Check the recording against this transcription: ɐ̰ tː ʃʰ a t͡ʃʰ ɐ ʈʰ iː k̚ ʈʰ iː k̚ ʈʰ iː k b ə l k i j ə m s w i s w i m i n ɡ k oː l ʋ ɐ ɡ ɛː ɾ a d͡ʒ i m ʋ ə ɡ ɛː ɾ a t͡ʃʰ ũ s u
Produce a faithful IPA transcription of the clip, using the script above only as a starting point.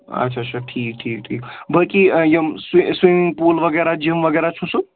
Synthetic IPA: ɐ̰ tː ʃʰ a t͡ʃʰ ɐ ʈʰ iː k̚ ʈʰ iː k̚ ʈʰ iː k b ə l k i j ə m s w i s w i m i ŋ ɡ p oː l ʋ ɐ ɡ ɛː ɾ a d͡ʒ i m ʋ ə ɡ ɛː ɾ a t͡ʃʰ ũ s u